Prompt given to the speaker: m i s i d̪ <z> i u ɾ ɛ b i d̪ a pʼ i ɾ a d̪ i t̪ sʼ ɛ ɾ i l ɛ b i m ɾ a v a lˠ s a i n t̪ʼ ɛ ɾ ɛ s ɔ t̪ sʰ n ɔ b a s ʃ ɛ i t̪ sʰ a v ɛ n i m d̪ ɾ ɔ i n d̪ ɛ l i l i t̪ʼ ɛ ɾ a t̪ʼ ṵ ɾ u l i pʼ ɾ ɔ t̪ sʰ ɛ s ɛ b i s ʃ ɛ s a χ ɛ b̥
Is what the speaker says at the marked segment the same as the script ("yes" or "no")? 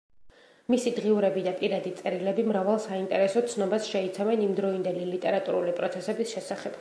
no